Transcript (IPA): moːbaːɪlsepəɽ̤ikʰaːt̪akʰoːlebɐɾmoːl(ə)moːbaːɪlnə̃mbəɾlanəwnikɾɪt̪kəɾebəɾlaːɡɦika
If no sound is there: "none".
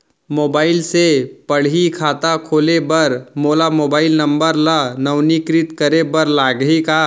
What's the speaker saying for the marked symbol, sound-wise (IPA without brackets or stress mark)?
a